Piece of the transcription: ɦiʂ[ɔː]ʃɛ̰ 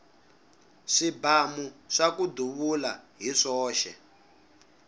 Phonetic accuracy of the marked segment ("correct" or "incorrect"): correct